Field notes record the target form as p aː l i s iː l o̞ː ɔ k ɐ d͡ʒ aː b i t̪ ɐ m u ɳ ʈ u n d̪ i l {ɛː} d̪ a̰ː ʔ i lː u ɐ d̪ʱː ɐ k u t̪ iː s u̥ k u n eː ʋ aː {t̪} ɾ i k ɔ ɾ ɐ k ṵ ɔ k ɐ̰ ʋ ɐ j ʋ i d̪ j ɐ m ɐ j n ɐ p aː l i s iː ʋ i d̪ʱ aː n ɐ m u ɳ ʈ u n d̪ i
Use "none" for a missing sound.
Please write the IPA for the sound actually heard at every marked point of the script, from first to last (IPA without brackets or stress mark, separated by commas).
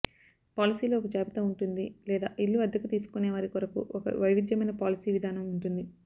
ɛː, none